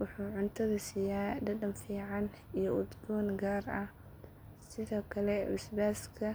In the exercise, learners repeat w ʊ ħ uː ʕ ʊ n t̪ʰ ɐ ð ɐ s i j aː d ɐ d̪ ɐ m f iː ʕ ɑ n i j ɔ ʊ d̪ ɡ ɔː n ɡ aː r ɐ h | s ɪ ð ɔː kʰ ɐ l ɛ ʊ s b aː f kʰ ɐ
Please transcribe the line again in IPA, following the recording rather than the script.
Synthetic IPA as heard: w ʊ ħ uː ʕ ʊ n t̪ʰ ɐ ð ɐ s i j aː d ɐ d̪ ɐ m f iː ʕ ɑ n i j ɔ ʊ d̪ ɡ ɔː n ɡ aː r ɐ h | s ɪ ð ɔː kʰ ɐ l ɛ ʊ s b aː s kʰ ɐ